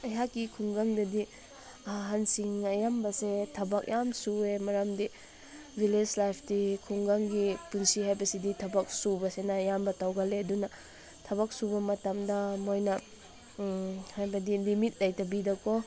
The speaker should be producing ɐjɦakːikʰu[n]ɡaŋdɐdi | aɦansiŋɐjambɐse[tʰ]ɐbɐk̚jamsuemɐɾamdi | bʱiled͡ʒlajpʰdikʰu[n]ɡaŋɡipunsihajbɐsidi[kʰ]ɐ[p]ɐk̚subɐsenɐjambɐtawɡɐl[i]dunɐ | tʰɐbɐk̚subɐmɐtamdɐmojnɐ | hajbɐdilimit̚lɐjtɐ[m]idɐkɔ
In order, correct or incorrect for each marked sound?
incorrect, correct, incorrect, incorrect, incorrect, incorrect, incorrect

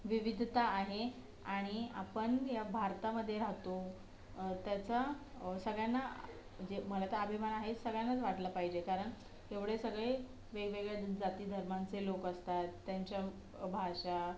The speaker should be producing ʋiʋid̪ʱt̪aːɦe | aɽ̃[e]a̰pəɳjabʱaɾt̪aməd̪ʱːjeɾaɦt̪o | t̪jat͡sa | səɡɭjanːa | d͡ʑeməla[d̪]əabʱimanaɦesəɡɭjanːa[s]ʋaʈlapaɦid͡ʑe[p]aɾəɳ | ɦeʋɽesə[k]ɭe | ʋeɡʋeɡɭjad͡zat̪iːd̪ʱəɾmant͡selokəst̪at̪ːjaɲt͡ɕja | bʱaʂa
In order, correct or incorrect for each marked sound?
incorrect, incorrect, incorrect, incorrect, incorrect

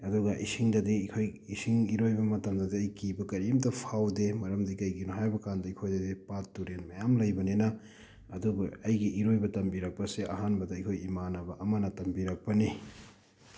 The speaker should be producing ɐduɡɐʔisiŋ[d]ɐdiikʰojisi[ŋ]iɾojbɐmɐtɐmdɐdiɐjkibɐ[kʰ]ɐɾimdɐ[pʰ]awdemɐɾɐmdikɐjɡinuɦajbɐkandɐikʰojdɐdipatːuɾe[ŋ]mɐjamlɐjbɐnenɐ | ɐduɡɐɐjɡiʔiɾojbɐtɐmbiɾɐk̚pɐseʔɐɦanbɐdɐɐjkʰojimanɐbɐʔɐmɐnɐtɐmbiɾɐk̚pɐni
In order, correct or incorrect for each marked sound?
correct, correct, incorrect, correct, incorrect

